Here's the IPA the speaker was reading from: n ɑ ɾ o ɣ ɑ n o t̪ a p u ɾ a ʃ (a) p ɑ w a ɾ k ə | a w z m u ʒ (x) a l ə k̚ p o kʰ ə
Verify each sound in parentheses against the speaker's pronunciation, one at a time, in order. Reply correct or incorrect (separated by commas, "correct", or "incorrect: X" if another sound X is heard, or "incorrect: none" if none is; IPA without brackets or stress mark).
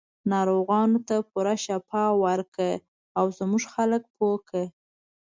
correct, correct